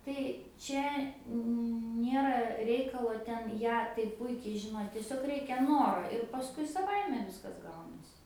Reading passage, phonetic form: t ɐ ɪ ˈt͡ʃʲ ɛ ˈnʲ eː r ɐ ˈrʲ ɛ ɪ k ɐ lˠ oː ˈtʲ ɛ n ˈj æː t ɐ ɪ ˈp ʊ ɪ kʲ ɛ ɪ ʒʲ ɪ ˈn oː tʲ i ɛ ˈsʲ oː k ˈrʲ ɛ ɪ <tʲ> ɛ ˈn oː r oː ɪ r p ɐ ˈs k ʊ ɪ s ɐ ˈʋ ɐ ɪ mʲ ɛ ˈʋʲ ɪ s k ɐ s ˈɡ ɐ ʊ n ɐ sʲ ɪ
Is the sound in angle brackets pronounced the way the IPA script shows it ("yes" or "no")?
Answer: no